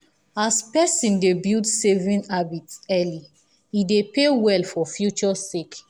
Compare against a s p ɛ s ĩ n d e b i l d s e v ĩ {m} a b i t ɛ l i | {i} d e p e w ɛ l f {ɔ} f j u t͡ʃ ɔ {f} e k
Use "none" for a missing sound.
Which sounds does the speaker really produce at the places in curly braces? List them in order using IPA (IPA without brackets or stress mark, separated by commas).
n, i, ɔ, s